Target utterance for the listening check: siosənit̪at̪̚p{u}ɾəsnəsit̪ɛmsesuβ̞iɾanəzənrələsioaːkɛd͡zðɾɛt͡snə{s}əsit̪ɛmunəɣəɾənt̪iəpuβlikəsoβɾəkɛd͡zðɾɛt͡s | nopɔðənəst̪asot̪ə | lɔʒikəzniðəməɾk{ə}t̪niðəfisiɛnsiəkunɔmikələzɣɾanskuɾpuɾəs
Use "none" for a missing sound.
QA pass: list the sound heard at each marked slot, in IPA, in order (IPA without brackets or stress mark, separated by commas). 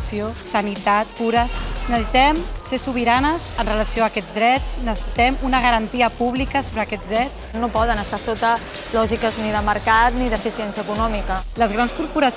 u, s, a